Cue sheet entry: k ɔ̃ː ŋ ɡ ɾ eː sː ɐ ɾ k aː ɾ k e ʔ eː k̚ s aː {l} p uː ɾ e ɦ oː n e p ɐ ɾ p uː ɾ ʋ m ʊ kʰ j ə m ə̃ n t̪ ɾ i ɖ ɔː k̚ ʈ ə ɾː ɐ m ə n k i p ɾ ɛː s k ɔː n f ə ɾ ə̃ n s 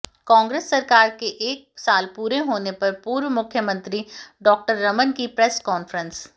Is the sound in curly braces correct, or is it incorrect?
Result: correct